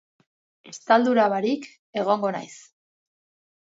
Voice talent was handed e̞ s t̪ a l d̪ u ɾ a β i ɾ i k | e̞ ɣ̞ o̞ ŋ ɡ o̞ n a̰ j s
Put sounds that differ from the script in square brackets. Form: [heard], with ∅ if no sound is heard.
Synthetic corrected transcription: e̞ s t̪ a l d̪ u ɾ a β [a] ɾ i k | e̞ ɣ̞ o̞ ŋ ɡ o̞ n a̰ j s